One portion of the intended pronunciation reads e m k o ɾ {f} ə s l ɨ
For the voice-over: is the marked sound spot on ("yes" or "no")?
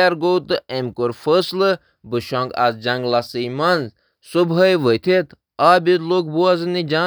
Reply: yes